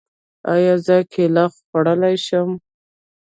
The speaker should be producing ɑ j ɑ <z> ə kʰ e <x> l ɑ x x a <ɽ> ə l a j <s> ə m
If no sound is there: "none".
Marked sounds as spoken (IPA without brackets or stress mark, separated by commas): z, none, ɽ, ʃ